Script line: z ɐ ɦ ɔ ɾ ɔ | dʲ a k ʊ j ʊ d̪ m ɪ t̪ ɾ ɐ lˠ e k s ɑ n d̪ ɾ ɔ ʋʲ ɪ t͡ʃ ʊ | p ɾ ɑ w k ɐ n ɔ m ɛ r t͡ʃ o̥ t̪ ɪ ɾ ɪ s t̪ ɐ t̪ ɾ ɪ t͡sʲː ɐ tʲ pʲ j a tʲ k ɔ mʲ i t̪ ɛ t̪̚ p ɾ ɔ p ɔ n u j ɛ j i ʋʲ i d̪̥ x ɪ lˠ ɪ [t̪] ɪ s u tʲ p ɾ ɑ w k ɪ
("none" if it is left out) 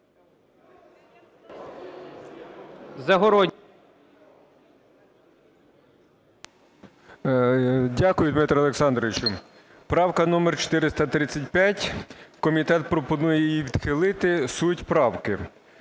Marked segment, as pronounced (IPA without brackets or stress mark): t̪